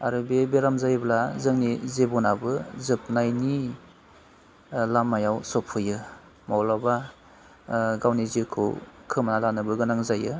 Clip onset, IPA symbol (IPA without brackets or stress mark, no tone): a